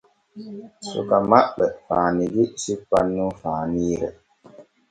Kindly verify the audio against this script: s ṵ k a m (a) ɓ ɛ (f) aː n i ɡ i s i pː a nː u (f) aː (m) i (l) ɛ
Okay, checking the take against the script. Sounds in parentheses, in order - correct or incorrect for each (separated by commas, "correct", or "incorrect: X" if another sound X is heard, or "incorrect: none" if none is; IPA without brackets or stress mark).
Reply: correct, correct, correct, incorrect: n, incorrect: ɾ